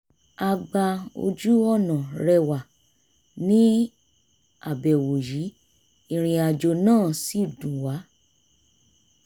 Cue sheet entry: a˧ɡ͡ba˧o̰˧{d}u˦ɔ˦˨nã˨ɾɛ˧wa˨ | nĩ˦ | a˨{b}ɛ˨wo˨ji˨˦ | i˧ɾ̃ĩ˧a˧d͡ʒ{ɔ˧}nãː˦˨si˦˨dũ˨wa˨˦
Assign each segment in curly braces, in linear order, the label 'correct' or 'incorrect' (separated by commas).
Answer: incorrect, correct, incorrect